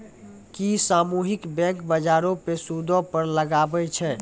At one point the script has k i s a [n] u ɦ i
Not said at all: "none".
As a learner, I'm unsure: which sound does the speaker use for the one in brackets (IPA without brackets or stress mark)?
m